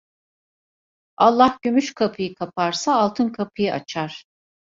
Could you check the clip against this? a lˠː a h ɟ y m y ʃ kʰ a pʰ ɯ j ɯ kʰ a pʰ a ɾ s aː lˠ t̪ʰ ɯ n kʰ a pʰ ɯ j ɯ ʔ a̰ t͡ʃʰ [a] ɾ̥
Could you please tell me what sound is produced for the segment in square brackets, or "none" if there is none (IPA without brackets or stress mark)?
a